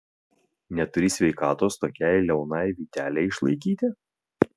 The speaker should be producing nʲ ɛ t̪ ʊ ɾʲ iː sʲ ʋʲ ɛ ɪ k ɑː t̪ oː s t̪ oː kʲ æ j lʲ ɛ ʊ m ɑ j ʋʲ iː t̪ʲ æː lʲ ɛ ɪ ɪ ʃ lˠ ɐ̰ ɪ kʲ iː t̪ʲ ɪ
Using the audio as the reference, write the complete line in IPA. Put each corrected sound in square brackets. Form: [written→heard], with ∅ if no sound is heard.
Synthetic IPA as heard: nʲ ɛ t̪ ʊ ɾʲ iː sʲ ʋʲ ɛ ɪ k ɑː t̪ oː s t̪ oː kʲ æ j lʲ ɛ ʊ [m→n] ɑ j ʋʲ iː t̪ʲ æː lʲ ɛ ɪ ɪ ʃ lˠ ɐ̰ ɪ kʲ iː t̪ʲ ɪ